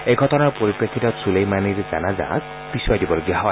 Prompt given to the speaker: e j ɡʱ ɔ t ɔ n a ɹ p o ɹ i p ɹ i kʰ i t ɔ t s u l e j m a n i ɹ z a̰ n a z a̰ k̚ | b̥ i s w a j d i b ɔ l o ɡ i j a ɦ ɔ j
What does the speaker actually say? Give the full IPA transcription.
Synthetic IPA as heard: e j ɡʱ ɔ t ɔ n a ɹ p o ɹ i p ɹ e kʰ i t ɔ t s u l e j m a n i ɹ z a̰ n a z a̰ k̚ | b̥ i s w a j d i b ɔ l o ɡ i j a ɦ ɔ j